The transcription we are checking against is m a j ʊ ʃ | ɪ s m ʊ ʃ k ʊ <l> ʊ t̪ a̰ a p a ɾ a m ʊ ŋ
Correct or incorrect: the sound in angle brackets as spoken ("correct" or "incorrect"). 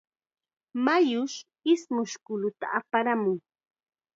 correct